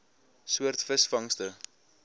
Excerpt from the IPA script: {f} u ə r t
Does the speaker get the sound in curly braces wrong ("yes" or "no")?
yes